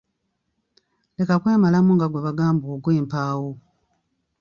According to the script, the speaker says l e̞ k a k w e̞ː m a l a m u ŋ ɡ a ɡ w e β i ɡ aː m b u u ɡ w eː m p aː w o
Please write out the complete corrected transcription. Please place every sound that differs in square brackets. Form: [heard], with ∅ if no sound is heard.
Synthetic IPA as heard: l e̞ k a k w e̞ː m a l a m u ŋ ɡ a ɡ w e β [a] ɡ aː m b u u ɡ w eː m p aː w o